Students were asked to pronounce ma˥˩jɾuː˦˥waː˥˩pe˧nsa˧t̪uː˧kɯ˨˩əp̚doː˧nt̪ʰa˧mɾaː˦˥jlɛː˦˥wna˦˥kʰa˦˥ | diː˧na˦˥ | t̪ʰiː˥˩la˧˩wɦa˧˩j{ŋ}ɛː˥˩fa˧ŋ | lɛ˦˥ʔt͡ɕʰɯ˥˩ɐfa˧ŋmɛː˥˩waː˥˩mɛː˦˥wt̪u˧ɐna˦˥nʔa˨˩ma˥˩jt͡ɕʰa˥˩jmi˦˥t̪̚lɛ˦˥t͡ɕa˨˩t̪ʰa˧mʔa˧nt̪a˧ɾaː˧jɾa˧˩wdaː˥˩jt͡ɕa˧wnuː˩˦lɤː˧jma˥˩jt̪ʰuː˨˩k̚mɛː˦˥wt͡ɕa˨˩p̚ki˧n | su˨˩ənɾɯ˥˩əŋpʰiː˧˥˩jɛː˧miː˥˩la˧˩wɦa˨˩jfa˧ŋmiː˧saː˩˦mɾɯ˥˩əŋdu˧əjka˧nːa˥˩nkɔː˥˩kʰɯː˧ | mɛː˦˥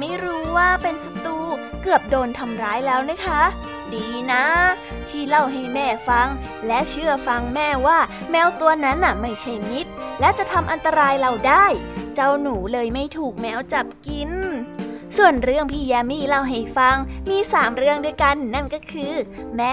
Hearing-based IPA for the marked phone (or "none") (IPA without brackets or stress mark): m